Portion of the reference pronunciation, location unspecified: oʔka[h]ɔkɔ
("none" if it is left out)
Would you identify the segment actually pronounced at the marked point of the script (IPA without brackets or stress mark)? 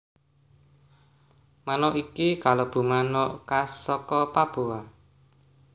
s